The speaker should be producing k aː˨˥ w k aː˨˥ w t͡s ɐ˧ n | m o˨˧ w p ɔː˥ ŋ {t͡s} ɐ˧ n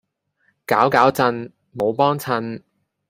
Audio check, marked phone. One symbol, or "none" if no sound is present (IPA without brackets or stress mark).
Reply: t͡sʰ